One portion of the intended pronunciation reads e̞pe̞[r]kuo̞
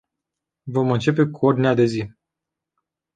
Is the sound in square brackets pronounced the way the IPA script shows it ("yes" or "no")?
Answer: no